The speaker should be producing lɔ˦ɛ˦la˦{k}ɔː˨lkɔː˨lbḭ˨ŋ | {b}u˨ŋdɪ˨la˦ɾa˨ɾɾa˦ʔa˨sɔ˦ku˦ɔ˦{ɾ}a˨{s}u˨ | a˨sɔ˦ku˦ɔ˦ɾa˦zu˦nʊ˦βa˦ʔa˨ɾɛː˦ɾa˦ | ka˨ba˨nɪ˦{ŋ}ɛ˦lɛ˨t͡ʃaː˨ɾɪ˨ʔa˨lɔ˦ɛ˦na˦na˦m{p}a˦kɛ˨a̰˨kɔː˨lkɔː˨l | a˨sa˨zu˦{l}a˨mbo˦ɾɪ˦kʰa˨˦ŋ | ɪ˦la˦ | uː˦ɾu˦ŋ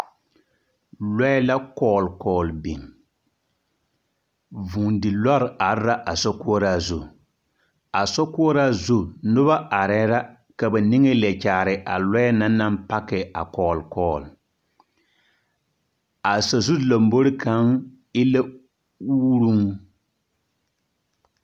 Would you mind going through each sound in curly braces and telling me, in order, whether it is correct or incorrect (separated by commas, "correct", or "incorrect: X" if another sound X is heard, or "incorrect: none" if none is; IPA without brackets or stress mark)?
correct, incorrect: v, correct, incorrect: z, correct, correct, correct